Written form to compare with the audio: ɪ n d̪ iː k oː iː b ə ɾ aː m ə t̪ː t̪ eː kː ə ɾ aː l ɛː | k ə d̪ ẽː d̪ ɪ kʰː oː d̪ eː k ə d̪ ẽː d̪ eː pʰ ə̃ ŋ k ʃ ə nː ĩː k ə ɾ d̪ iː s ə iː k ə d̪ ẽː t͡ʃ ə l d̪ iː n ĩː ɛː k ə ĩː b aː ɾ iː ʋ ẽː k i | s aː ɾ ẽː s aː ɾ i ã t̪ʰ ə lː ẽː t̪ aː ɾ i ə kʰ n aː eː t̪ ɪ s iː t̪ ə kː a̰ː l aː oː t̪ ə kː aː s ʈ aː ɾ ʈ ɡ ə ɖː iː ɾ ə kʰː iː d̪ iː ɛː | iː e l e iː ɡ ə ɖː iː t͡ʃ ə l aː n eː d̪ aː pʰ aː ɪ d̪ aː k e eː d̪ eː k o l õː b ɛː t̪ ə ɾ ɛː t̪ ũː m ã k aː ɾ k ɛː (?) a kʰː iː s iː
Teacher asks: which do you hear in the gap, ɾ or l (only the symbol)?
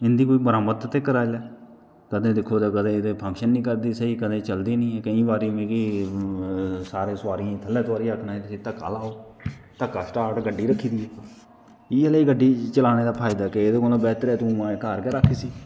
ɾ